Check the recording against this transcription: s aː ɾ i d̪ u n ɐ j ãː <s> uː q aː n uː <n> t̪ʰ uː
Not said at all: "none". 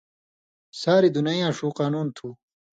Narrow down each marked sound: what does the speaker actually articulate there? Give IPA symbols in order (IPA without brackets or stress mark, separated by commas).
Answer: ʂ, n